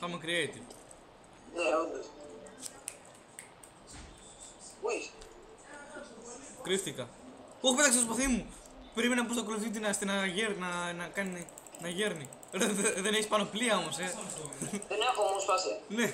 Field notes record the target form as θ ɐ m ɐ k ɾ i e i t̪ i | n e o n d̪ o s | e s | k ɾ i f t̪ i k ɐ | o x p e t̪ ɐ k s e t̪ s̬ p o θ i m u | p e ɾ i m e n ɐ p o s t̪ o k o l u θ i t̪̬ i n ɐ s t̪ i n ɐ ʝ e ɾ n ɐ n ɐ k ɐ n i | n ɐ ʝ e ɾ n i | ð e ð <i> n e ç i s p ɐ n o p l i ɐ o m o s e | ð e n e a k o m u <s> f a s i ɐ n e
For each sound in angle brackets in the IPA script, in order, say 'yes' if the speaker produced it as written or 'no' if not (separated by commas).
no, yes